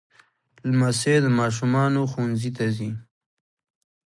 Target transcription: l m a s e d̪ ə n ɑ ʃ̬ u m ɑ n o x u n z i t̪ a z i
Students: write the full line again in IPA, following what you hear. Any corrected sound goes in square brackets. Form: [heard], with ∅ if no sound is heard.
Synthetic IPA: l m a s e d̪ ə [m] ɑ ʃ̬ u m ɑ n o x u n z i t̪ a z i